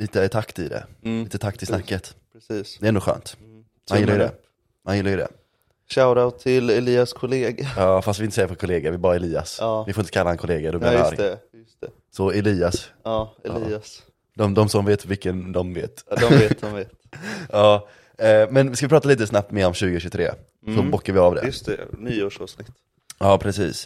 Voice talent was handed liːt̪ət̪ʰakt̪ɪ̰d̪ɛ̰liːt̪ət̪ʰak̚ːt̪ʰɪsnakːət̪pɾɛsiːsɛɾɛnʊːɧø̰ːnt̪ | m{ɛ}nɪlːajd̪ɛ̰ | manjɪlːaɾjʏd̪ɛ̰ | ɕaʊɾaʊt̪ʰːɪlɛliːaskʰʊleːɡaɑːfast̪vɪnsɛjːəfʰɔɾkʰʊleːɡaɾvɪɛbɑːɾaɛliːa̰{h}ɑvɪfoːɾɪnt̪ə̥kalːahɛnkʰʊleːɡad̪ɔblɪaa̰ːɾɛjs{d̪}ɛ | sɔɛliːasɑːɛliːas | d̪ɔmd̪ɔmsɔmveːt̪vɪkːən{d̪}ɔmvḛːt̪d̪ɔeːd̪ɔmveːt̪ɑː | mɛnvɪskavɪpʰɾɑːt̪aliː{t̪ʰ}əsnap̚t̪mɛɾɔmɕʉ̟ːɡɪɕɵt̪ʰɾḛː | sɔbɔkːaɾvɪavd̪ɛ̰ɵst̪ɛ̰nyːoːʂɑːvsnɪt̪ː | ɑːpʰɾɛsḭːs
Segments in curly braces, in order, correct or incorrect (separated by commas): incorrect, incorrect, incorrect, correct, incorrect